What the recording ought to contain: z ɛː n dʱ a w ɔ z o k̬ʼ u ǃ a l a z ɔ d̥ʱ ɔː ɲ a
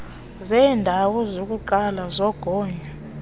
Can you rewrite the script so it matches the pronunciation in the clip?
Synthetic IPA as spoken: z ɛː n dʱ a w ɔ z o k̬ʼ u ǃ a l a z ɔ ɡ̥ʱ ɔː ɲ a